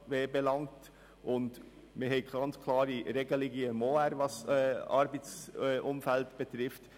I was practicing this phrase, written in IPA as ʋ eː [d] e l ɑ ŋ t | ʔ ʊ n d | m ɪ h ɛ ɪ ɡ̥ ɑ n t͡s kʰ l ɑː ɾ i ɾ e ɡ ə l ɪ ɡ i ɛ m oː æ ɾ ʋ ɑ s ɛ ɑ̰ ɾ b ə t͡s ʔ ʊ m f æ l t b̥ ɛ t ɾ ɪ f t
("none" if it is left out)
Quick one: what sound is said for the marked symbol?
b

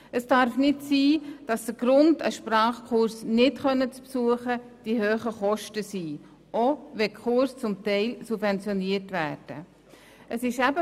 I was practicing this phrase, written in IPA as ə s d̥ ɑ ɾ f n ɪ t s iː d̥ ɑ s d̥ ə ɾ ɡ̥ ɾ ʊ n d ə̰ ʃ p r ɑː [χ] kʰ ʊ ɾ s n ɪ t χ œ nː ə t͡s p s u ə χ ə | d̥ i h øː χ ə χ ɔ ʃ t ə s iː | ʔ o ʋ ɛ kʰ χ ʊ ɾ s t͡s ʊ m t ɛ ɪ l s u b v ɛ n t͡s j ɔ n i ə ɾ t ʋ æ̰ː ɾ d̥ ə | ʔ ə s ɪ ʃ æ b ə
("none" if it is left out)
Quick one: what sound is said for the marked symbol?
χ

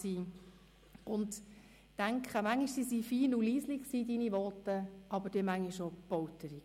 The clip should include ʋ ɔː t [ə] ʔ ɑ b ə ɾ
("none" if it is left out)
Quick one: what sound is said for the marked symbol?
ə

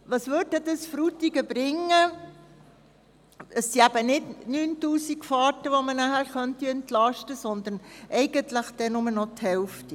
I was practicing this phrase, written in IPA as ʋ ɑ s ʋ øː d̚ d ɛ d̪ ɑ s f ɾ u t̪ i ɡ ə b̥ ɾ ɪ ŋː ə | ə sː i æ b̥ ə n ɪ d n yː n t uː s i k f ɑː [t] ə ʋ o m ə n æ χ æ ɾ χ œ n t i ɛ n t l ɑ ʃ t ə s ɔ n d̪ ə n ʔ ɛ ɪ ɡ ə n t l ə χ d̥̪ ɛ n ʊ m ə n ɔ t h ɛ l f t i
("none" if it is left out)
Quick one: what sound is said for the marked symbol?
t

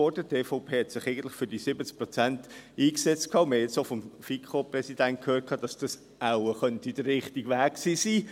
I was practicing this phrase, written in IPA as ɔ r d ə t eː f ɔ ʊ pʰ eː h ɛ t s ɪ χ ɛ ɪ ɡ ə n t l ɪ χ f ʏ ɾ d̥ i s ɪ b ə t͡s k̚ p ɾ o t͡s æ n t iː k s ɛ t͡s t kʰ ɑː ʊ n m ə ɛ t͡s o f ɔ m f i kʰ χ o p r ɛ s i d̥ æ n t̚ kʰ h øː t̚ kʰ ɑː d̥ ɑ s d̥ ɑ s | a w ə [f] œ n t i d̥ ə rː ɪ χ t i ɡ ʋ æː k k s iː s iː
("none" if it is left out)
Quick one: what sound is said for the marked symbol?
χ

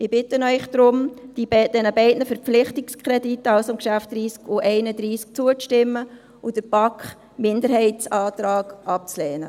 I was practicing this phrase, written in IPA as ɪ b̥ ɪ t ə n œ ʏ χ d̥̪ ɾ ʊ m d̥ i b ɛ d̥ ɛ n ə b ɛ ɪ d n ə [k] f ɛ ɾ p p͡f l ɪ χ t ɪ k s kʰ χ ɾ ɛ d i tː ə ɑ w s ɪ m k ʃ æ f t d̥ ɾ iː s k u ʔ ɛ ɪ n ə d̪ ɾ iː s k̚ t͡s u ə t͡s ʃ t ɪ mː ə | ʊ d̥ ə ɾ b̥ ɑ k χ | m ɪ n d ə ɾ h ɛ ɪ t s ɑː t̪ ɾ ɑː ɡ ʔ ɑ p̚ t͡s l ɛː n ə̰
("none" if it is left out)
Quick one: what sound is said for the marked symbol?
none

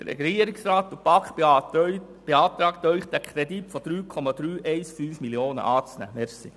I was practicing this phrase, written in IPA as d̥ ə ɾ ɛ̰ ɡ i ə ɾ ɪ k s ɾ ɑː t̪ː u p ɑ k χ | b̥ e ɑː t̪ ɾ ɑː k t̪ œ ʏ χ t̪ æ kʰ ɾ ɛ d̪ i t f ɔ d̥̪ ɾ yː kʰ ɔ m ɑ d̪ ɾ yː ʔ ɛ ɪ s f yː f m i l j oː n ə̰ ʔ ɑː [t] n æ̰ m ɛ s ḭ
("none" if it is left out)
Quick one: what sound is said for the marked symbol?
t͡s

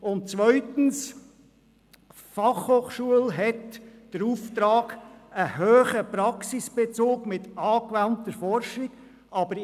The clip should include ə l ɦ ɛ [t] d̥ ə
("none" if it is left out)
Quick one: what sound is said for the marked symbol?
t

